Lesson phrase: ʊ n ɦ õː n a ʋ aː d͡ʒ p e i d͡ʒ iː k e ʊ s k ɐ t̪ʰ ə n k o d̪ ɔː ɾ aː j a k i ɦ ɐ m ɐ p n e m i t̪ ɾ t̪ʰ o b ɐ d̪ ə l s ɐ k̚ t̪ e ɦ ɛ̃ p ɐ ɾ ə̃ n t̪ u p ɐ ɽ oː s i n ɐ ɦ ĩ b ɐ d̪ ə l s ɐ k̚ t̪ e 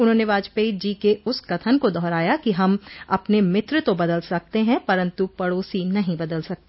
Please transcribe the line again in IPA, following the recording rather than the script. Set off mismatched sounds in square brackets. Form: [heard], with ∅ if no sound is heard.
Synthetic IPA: ʊ n ɦ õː n [e] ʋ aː d͡ʒ p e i d͡ʒ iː k e ʊ s k ɐ t̪ʰ ə n k o d̪ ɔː ɾ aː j a k i ɦ ɐ m ɐ p n e m [ɪ] t̪ ɾ [t̪] o b ɐ d̪ ə l s ɐ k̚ t̪ e ɦ ɛ̃ p ɐ ɾ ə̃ n t̪ u p ɐ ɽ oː s i n ɐ ɦ ĩ b ɐ d̪ ə l s ɐ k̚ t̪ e

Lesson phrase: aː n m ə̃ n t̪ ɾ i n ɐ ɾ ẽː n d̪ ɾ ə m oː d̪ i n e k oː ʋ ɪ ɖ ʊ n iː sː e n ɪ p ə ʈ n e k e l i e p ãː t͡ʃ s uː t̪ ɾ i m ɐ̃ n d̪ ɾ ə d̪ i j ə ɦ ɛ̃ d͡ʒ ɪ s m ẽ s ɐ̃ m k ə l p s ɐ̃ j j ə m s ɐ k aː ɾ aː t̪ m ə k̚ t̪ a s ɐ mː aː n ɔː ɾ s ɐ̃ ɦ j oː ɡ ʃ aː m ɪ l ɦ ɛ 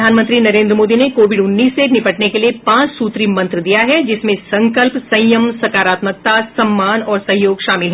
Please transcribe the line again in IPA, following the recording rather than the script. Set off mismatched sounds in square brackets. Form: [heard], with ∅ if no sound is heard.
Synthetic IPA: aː n m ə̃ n t̪ ɾ i n ɐ ɾ ẽː n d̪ ɾ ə m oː d̪ i n e k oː ʋ ɪ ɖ ʊ [nː] iː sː e n ɪ p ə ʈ n e k e l i e p ãː t͡ʃ s uː t̪ ɾ i m ɐ̃ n [t̪] ɾ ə d̪ i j [a] ɦ [ɛ] d͡ʒ ɪ s m ẽ s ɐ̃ [ŋ] k ə l p s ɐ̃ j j ə m s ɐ k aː ɾ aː t̪ m ə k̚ t̪ a s ɐ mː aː n ɔː ɾ s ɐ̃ ɦ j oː ɡ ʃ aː m ɪ l ɦ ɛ

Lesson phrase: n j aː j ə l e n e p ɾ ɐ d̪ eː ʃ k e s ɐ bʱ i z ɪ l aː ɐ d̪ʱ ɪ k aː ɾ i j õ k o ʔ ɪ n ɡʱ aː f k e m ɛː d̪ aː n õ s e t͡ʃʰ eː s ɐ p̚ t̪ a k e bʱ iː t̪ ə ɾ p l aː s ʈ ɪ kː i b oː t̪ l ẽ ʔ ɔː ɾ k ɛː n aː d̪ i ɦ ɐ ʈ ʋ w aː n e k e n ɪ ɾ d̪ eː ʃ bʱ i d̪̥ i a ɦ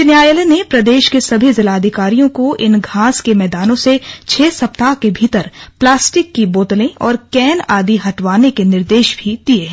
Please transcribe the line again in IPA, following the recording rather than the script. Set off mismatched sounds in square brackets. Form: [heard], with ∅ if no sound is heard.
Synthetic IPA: n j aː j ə l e n e p ɾ ɐ d̪ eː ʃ k e s ɐ bʱ i z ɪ l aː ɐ d̪ʱ ɪ k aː ɾ i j õ k o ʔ ɪ n ɡʱ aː [s] k e m ɛː d̪ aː n õ s e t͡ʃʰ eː s ɐ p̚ t̪ a k e bʱ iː t̪ ə ɾ p l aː s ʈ ɪ kː i b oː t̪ l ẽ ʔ ɔː ɾ k ɛː n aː d̪ i ɦ ɐ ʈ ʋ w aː n e k e n ɪ ɾ d̪ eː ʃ bʱ i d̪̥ i [e] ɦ

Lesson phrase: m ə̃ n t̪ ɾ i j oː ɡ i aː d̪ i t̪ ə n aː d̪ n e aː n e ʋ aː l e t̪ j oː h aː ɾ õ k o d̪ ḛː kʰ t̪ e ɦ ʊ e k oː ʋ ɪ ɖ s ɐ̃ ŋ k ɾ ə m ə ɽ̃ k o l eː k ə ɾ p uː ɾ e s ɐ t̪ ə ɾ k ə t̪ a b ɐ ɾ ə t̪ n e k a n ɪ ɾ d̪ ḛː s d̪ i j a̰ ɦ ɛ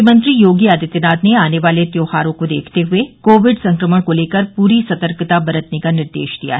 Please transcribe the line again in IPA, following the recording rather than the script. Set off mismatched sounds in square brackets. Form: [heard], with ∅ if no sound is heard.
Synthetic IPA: m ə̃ n t̪ ɾ i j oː ɡ i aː d̪ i t̪ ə n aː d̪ n e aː n e ʋ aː l e t̪ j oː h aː ɾ õ k o d̪ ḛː kʰ t̪ e ɦ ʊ e k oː ʋ ɪ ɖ s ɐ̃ ŋ k ɾ ə m ə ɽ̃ k o l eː k ə ɾ p uː ɾ [i] s ɐ t̪ ə ɾ k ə t̪ a b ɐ ɾ ə t̪ n e k a n ɪ ɾ d̪ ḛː [ʃ] d̪ i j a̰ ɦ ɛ

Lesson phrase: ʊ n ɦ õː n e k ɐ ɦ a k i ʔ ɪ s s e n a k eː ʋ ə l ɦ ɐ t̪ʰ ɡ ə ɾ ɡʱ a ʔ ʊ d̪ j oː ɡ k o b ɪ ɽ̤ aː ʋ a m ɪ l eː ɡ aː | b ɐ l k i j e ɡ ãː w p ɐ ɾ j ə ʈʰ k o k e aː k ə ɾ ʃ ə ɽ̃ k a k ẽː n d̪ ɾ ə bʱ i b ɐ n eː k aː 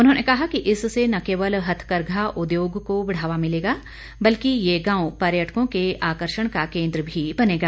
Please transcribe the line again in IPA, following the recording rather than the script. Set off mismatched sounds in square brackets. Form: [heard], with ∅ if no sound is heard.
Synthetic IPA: ʊ n ɦ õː n e k ɐ ɦ a k i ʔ ɪ s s e n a k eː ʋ ə l ɦ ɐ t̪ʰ [k] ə ɾ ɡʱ a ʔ ʊ d̪ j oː ɡ k o b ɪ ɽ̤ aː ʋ a m ɪ l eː ɡ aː | b ɐ l k i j e ɡ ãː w p ɐ ɾ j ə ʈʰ k [õ] k e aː k ə ɾ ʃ ə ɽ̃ k a k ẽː n d̪ ɾ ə bʱ i b ɐ n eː [ɡ] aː

